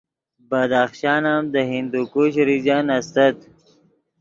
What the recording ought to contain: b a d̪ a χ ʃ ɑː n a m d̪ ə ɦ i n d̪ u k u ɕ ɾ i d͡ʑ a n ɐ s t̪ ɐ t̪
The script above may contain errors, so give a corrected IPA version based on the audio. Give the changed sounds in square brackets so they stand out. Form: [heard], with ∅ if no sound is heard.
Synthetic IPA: b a d̪ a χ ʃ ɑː n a m d̪ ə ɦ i n d̪ u k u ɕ ɾ i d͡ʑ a n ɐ s t̪ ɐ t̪